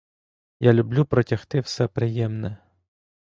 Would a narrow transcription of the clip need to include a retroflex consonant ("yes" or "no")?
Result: no